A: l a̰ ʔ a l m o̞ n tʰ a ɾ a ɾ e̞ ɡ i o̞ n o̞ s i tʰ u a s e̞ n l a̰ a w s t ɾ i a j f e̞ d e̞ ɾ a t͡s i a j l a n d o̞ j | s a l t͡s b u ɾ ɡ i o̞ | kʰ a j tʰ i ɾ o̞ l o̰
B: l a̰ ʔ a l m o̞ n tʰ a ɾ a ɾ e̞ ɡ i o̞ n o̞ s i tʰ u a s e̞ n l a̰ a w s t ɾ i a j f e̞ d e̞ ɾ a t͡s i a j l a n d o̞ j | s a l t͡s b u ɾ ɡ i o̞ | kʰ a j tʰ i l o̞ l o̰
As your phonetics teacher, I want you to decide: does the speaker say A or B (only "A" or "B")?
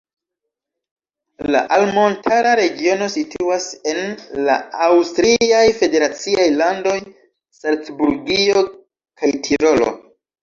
A